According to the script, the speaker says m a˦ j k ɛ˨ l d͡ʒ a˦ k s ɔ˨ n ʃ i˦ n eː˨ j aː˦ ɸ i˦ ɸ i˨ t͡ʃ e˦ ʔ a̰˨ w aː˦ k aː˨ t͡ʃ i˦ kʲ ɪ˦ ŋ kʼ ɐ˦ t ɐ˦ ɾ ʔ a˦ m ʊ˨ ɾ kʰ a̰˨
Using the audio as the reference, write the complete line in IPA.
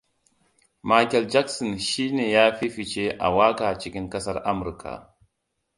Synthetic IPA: m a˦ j k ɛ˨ l d͡ʒ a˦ k s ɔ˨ n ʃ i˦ n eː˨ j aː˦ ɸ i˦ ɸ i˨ t͡ʃ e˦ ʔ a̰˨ w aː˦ k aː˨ t͡ʃ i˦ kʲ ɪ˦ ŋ k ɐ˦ s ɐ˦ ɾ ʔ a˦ m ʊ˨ ɾ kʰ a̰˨